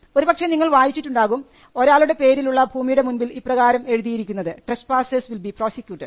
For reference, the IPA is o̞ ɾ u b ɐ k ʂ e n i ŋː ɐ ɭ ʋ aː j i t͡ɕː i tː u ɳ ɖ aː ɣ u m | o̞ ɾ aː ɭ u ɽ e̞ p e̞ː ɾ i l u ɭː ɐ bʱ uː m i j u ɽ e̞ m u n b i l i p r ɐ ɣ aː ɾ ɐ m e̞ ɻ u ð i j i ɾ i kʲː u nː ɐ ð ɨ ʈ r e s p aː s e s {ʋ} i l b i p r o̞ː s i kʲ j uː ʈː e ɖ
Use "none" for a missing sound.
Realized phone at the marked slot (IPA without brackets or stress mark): ʋ